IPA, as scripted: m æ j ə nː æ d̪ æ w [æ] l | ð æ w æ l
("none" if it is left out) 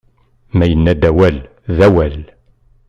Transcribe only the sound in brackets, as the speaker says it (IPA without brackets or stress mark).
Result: æ